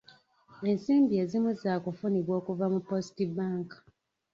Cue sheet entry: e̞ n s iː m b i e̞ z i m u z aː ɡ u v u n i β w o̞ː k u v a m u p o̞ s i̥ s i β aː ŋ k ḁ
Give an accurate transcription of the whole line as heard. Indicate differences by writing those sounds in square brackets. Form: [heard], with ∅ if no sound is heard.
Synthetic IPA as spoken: e̞ n s iː m b i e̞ z i m u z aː [k] u [f] u n i β w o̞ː k u v a m u p o̞ s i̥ [t] i [b] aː ŋ k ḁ